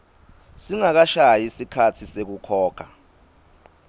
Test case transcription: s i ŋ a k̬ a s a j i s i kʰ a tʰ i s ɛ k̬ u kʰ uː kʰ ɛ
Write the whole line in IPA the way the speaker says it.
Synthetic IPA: s i ŋ a k̬ a ʃ a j i s i kʰ a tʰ i s e k̬ u kʰ ɔː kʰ a